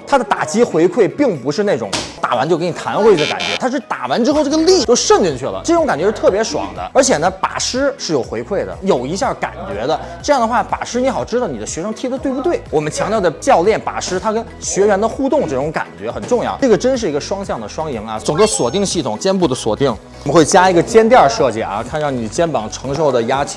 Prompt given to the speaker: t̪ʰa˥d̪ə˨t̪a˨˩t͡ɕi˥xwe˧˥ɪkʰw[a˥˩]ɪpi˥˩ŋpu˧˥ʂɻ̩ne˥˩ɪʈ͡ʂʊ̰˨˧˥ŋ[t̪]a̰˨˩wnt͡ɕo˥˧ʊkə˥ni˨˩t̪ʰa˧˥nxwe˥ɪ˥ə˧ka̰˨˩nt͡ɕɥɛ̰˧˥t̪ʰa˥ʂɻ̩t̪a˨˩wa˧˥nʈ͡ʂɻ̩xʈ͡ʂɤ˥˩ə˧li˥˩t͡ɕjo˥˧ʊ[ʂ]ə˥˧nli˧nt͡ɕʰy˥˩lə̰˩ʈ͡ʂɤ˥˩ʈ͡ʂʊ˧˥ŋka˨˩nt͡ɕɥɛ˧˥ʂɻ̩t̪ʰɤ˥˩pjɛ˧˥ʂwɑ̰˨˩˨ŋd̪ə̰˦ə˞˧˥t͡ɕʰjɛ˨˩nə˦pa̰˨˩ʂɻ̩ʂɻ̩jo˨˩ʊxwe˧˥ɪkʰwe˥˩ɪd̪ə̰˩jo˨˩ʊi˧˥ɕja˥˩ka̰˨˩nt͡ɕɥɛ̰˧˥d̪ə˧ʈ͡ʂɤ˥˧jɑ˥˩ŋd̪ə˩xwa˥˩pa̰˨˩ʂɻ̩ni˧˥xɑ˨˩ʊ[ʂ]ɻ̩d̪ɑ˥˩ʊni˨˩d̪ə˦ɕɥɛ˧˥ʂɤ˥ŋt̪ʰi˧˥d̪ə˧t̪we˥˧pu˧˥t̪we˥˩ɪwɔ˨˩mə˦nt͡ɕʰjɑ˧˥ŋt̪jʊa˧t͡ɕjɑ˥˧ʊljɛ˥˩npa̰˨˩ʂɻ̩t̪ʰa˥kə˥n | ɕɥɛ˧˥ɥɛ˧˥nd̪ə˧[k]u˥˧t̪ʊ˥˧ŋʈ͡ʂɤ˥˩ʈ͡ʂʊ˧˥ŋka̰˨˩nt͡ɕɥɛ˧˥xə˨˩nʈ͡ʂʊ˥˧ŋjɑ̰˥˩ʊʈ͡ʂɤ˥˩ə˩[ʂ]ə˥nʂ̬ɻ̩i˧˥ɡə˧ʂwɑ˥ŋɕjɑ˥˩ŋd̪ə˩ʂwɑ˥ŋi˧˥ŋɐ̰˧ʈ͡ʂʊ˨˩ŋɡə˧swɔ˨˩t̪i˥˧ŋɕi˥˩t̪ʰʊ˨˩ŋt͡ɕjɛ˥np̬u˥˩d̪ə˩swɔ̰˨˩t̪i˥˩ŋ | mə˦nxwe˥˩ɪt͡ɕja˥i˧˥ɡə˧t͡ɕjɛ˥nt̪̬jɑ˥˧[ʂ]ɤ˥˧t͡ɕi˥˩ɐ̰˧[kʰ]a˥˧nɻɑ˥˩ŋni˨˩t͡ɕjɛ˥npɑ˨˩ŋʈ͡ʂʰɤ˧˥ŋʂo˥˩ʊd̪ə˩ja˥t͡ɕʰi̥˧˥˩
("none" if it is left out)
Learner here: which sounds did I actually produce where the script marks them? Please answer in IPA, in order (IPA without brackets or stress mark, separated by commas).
e˥˩, t̪, ʂ, ʈ͡ʂ, x, ʈ͡ʂ, ʂ, kʰ